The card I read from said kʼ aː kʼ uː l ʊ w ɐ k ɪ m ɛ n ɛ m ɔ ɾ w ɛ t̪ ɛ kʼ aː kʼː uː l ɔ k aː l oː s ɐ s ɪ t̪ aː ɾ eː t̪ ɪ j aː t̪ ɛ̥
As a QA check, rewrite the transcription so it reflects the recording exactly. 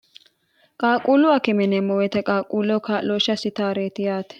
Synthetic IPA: kʼ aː kʼ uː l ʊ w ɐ k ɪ m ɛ n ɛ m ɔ w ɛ t̪ ɛ kʼ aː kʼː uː l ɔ k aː l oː ʃ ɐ s ɪ t̪ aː ɾ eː t̪ ɪ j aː t̪ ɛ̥